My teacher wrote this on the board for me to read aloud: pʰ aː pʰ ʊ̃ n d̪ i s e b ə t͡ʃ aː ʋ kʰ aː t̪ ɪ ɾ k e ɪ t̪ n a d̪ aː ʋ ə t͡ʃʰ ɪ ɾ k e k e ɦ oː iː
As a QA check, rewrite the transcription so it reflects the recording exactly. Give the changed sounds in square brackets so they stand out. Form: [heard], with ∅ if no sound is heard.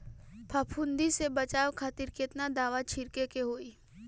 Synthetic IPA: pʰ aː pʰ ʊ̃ n d̪ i s e b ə t͡ʃ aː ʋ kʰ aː t̪ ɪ ɾ k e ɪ t̪ n a d̪ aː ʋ [a] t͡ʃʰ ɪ ɾ k e k e ɦ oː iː